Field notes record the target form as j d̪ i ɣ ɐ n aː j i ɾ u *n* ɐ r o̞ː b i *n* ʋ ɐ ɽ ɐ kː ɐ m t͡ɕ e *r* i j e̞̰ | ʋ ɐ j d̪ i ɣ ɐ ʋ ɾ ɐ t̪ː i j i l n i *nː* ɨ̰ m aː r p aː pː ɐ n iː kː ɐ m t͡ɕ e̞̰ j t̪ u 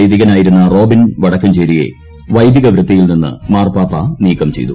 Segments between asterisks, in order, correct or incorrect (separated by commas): incorrect, correct, incorrect, correct